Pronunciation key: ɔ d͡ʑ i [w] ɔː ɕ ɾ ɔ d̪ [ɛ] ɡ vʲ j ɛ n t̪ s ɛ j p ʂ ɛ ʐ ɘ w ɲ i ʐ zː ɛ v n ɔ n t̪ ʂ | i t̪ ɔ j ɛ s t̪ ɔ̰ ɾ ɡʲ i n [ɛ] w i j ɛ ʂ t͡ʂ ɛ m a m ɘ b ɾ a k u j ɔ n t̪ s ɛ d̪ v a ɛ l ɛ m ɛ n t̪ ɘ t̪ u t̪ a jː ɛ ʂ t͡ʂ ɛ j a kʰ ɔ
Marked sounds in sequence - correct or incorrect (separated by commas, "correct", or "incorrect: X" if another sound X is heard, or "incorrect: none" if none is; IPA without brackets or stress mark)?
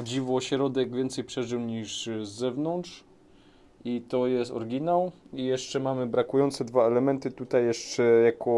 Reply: incorrect: v, correct, incorrect: a